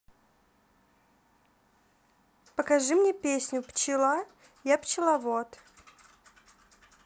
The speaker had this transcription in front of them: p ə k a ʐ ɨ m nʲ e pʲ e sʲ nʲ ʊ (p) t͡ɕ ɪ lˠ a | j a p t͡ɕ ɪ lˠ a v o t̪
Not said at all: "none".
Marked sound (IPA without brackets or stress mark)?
p